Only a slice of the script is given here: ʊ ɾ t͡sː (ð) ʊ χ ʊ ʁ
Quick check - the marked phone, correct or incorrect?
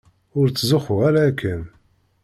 incorrect